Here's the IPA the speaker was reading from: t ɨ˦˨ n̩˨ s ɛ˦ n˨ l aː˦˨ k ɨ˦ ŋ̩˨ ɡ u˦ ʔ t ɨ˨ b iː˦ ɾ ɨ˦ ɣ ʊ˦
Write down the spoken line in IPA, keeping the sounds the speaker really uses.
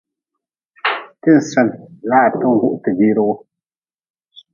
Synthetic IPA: t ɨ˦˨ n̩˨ s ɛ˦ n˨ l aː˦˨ t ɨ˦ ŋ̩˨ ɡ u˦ ʔ t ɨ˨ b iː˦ ɾ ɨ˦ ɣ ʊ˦